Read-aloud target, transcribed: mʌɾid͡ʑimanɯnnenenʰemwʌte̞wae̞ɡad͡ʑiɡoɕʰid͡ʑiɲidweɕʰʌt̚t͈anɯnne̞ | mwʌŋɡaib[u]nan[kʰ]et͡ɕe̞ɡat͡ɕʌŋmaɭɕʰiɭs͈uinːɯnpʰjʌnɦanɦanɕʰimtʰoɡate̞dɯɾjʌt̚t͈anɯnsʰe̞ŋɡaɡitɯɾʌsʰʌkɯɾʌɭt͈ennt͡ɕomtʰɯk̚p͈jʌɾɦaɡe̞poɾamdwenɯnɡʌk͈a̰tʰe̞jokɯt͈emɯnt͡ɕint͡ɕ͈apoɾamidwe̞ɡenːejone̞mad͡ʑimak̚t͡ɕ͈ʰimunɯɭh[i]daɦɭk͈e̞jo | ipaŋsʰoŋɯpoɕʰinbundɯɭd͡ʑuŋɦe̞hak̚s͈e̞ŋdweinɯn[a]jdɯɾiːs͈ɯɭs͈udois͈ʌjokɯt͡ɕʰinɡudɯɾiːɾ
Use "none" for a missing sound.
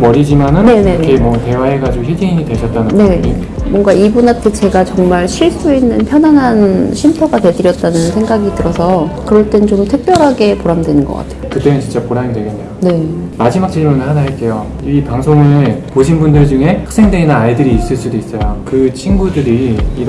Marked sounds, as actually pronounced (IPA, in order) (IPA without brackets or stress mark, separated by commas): u, tʰ, a, a